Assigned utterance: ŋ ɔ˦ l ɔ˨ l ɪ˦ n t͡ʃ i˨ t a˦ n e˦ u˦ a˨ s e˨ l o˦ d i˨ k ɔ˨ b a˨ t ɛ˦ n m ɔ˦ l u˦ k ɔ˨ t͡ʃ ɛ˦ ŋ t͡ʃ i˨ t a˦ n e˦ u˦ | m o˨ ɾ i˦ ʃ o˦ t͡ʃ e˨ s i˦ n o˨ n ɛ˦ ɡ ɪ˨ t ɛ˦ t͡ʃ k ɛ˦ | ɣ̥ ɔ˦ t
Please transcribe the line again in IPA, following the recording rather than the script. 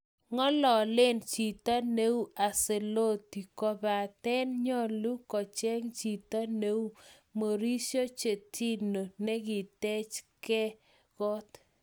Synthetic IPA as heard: ŋ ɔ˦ l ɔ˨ l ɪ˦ n t͡ʃ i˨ t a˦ n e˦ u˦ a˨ s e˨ l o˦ t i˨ k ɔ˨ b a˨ t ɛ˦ n ɲ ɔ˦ l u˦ k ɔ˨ t͡ʃ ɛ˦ ŋ t͡ʃ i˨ t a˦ n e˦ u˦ | m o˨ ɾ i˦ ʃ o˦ t͡ʃ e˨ t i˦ n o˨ n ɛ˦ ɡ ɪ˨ t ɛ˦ t͡ʃ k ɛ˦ | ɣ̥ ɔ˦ t